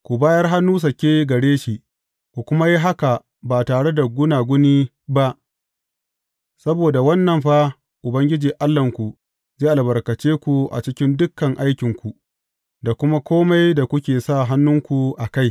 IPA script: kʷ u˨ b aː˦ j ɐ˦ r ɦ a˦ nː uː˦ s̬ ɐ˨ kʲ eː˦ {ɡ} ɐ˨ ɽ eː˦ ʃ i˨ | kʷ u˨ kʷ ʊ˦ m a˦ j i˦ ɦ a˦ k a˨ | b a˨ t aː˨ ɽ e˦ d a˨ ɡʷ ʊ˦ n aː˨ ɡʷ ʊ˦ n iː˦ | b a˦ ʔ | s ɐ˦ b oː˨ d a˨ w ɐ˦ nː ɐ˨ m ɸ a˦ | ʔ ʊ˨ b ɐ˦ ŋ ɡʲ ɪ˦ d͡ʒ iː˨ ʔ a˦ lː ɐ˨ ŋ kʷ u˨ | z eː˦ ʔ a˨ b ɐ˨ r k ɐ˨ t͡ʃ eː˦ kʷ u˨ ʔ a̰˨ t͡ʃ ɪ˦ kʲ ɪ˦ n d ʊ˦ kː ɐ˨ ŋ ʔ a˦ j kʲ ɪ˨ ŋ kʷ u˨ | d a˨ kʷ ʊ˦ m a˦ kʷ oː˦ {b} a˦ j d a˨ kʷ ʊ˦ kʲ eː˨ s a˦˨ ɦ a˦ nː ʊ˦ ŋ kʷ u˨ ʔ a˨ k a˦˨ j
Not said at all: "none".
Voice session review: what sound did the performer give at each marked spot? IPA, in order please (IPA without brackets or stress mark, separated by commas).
ɡ, m